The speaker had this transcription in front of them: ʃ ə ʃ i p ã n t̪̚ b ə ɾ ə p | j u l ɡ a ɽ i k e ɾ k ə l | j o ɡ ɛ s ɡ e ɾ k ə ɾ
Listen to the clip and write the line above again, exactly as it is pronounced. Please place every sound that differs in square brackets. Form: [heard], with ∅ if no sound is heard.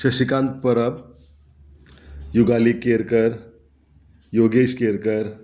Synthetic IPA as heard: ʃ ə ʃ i [k] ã n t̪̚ [p] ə ɾ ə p | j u [∅] ɡ a [l] i k e ɾ k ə [ɾ] | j o ɡ [e] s [k] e ɾ k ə ɾ